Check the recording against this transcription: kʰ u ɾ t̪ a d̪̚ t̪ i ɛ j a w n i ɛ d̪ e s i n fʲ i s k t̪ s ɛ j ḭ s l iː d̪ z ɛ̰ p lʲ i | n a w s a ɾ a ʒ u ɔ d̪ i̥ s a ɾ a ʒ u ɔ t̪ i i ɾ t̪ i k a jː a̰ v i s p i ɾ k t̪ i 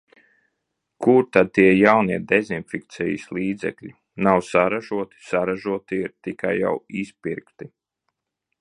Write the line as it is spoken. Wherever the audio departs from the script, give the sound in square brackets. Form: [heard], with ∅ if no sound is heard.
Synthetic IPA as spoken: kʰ u ɾ t̪ a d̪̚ t̪ i ɛ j a w n i ɛ d̪ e [z] i n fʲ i [∅] k t̪ s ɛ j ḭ s l iː d̪ z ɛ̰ [k] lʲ i | n a w s a ɾ a ʒ u ɔ [t̪] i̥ s a ɾ a ʒ u ɔ t̪ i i ɾ t̪ i k a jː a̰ [w] i s p i ɾ k t̪ i